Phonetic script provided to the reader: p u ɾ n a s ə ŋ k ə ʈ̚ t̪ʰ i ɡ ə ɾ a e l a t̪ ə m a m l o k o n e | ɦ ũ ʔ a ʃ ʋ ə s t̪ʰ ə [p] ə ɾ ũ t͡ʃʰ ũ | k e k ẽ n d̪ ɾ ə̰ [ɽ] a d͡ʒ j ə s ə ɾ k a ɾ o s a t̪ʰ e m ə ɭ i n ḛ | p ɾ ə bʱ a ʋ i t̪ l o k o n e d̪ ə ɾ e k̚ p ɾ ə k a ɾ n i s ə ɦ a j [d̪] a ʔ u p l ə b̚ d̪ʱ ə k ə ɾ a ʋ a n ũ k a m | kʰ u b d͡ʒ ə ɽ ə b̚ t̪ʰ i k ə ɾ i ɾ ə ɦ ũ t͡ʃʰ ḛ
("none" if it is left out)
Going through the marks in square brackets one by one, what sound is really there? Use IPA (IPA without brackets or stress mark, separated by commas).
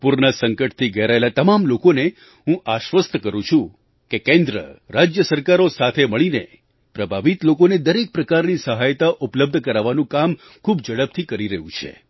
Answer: k, ɾ, t̪